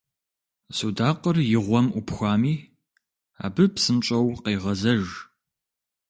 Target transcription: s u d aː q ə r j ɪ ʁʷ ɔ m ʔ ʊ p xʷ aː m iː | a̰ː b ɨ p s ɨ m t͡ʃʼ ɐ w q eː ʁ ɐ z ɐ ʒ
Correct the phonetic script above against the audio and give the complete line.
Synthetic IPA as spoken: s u d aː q ə r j ɪ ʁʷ ɔ m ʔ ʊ p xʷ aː m iː | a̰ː b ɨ p s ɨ m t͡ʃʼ ɐ w q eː ʁ ɐ z ɐ ʒ